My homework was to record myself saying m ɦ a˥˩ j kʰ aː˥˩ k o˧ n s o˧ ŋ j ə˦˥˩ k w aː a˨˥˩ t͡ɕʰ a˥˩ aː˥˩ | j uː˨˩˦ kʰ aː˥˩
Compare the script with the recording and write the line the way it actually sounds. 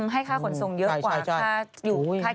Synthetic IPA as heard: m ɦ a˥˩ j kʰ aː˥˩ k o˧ n s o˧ ŋ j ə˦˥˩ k w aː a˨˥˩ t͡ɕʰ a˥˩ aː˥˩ | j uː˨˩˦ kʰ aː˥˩